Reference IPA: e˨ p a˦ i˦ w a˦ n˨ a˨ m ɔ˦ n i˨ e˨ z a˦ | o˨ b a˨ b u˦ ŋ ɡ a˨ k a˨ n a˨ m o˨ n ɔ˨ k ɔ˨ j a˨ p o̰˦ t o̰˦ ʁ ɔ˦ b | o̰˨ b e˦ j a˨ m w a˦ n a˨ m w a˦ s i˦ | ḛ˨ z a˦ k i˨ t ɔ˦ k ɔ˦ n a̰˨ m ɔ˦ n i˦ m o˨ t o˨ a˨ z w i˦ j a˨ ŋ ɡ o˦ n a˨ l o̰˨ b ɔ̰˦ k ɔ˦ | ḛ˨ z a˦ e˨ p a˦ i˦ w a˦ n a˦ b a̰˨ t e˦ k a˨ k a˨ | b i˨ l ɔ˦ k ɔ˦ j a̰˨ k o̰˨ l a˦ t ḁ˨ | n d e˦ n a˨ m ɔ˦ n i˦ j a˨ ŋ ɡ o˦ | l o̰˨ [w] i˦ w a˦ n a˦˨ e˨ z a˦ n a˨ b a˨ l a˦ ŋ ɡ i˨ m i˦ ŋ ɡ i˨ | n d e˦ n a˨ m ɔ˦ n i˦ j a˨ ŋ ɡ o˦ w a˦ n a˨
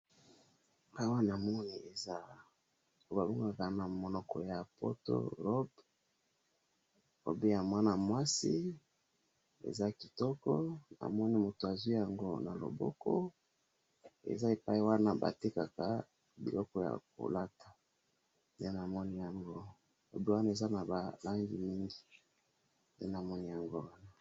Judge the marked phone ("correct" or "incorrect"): incorrect